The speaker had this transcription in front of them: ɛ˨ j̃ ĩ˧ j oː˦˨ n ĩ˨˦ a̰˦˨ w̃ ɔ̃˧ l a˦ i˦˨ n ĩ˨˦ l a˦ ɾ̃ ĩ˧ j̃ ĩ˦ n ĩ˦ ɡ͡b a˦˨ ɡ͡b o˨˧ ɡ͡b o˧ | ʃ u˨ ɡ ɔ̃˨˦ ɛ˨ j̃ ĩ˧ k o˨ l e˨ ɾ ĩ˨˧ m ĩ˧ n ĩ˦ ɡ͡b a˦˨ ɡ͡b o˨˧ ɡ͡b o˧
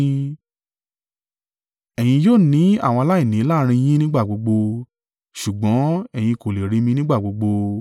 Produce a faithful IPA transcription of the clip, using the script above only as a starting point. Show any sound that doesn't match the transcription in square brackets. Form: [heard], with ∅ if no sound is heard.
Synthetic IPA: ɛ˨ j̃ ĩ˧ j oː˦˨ n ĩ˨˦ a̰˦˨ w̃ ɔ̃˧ l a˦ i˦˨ n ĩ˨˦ l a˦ ɾ̃ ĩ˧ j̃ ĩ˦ n ĩ˦ ɡ͡b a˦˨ ɡ͡b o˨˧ ɡ͡b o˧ | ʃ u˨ [ɡ͡b] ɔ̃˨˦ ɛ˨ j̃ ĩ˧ k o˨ l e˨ ɾ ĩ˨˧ m ĩ˧ n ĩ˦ ɡ͡b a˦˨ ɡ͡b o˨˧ ɡ͡b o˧